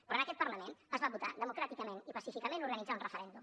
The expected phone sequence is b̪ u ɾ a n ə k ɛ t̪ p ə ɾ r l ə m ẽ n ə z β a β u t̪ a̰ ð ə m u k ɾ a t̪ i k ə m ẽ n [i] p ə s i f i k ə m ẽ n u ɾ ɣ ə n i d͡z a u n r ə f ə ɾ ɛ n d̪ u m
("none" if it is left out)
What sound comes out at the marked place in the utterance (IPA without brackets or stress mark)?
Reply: i